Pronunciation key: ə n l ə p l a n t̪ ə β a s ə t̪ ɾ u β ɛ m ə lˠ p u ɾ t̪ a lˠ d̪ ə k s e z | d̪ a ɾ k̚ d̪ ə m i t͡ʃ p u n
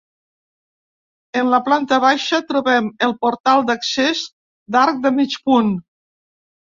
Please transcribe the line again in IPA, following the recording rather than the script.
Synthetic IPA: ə n l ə p l a n t̪ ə β a ʃ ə t̪ ɾ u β ɛ m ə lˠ p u ɾ t̪ a lˠ d̪ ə k s e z | d̪ a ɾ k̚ d̪ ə m i t͡ʃ p u n